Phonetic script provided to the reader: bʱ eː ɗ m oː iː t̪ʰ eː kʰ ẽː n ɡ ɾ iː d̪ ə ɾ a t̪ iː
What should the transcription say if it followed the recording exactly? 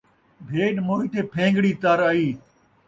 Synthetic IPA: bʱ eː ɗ m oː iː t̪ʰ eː pʰ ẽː ŋ ɡ ɽ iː t̪ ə ɾ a iː